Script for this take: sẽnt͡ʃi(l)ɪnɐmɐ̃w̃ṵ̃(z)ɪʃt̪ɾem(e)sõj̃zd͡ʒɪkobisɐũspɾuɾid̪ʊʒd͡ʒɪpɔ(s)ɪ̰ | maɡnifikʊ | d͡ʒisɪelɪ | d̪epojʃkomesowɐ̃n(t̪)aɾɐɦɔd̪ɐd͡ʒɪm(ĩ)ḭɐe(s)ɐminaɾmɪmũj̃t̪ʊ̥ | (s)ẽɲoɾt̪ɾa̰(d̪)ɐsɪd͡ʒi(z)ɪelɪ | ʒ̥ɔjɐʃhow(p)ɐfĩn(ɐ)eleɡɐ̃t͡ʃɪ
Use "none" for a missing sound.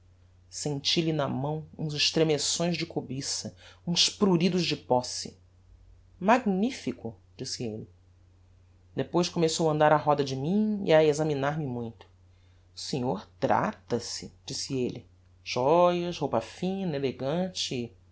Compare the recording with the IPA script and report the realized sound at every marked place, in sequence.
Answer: l, z, e, s, d̪, ĩ, z, s, t̪, s, p, ɐ

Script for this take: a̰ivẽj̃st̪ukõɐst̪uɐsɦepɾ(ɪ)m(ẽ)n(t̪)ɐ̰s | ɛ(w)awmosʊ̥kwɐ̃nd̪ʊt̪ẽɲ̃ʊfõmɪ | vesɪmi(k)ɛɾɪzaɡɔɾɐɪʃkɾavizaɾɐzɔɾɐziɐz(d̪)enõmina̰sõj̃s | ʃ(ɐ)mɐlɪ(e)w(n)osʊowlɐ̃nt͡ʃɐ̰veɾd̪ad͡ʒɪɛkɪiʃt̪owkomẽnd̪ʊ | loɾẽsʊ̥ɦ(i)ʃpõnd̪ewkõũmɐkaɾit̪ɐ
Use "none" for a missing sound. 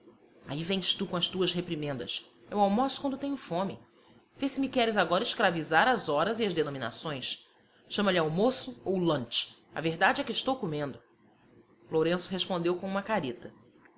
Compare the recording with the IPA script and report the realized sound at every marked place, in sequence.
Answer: i, ẽ, d̪, w, k, d̪, ɐ̃, a, m, e

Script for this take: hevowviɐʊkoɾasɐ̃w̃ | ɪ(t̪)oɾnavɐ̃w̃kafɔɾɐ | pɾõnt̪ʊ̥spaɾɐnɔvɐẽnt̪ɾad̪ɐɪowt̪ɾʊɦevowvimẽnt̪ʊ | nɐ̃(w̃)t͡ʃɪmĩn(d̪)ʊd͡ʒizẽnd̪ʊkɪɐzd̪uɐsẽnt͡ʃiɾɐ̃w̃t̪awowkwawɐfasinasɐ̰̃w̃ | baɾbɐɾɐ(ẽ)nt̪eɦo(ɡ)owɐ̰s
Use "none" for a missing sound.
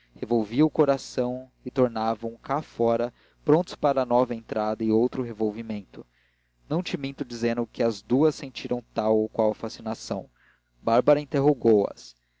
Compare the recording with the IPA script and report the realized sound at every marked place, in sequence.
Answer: t̪, w̃, t̪, ĩ, ɡ

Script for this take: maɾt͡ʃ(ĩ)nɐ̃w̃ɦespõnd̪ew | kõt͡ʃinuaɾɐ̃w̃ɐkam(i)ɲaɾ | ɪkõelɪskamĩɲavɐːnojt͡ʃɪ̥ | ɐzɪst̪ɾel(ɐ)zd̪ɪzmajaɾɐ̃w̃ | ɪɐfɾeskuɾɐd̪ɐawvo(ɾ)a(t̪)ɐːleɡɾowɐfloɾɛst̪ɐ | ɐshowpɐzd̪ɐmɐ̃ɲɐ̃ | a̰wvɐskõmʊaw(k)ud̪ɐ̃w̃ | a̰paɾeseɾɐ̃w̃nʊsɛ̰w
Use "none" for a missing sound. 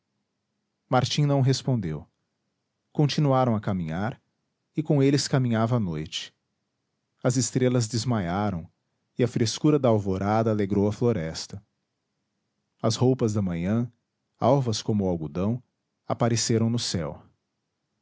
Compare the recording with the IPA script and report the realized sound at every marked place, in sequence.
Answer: ĩ, ĩ, ɐ, ɾ, d̪, ɡ

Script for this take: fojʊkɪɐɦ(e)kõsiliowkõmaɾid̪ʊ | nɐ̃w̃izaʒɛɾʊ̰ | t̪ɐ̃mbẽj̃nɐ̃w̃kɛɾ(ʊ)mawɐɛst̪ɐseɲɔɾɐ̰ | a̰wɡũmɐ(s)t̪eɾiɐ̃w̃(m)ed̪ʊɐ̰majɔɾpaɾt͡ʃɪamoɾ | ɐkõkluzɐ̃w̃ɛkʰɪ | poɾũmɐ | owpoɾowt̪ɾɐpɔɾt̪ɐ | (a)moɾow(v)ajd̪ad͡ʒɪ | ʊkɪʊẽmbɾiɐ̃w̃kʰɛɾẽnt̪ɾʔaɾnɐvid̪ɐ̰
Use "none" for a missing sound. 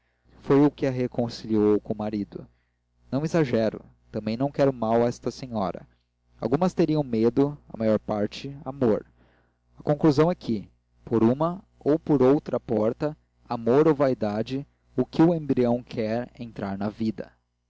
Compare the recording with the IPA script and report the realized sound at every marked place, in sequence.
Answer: e, ʊ, s, m, a, v

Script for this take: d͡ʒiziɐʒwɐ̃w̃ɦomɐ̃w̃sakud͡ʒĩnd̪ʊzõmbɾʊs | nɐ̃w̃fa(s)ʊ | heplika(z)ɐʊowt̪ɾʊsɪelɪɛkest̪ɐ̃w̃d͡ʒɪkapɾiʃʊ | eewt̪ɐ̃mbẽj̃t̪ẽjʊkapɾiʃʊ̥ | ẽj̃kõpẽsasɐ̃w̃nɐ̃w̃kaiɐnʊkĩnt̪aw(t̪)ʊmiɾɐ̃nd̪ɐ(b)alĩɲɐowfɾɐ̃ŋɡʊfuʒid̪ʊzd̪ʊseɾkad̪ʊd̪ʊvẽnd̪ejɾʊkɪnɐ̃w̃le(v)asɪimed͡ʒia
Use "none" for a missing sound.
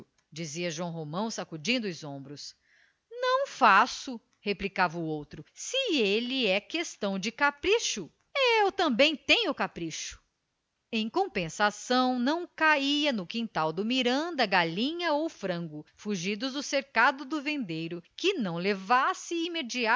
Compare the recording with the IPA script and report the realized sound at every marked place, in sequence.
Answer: s, v, d̪, ɡ, v

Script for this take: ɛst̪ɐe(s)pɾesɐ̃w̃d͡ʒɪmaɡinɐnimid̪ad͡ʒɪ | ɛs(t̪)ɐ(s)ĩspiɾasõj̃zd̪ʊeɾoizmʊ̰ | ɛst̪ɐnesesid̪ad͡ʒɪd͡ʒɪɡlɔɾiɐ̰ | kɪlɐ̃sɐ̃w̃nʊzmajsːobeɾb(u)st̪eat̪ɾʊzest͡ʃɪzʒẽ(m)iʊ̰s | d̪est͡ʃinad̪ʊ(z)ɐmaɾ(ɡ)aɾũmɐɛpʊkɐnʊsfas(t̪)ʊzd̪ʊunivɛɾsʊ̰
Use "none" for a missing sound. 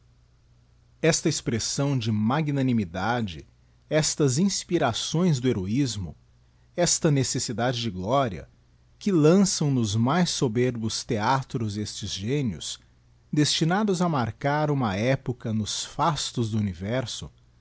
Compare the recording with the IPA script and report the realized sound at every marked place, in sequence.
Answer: s, t̪, z, ʊ, n, z, k, t̪

